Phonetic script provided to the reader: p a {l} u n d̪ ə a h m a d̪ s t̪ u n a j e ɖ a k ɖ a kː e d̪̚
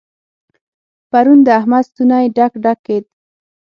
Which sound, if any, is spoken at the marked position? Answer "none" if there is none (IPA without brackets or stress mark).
ɾ